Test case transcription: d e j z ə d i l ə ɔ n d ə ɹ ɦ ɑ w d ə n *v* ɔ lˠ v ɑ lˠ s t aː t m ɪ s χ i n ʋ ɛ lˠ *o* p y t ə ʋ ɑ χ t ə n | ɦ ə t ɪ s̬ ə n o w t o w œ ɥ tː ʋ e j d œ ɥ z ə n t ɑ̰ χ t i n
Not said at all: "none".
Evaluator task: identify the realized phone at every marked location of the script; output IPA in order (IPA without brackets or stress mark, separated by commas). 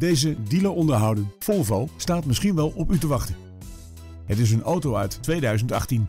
f, ɔ